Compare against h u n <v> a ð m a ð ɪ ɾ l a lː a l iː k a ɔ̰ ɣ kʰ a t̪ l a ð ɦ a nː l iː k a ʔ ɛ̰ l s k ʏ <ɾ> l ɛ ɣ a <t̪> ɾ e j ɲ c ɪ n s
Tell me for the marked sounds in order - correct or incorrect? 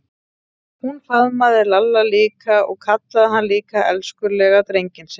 incorrect, correct, correct

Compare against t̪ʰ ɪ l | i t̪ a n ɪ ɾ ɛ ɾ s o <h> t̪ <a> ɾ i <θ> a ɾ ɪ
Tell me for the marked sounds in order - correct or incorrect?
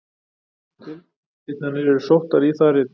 correct, correct, correct

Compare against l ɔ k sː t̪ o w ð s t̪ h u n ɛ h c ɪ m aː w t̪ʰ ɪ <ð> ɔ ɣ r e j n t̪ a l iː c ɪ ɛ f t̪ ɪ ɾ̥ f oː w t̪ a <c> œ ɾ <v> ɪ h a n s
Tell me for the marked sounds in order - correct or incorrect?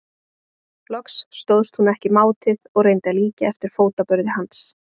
correct, incorrect, incorrect

